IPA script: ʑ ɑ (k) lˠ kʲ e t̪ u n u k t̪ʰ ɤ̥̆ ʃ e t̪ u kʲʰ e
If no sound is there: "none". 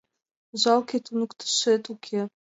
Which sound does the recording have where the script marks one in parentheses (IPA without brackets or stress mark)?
none